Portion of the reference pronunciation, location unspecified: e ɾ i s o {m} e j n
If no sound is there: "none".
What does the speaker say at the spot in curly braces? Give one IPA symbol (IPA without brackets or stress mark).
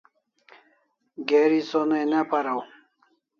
n